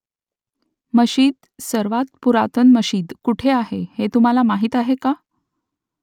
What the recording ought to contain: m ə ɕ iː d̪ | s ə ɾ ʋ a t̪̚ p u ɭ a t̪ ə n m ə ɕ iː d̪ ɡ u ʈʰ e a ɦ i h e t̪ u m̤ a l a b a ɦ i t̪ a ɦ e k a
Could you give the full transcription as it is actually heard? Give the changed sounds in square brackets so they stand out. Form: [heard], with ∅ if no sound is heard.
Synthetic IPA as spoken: m ə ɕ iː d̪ | s ə ɾ ʋ a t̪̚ p u [ɾ] a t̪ ə n m ə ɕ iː d̪ [k] u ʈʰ e a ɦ [e] h e t̪ u m̤ a l a [m] a ɦ i t̪ a ɦ e k a